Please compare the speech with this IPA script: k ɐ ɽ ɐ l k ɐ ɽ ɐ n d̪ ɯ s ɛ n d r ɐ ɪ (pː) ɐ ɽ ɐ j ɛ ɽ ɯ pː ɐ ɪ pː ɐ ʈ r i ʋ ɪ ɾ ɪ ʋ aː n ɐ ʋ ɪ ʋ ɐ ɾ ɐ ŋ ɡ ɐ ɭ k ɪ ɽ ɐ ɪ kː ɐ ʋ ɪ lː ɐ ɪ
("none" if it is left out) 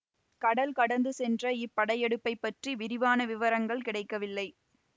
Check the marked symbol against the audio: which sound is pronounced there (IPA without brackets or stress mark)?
pː